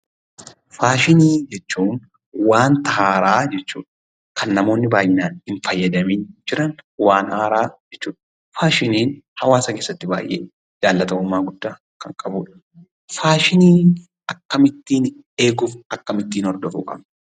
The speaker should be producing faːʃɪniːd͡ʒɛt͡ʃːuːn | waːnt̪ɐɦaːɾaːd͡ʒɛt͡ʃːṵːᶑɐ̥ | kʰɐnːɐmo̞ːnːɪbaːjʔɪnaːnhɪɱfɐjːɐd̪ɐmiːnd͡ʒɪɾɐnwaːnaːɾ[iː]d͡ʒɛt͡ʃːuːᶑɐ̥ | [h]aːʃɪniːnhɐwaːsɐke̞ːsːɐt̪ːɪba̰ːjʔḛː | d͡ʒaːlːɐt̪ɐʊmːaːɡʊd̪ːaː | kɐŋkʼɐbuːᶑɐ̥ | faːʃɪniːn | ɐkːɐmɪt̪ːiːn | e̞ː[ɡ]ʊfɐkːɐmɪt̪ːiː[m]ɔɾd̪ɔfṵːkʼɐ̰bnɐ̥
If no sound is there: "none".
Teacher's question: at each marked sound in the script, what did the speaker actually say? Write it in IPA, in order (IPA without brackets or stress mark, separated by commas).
aː, f, ɡ, n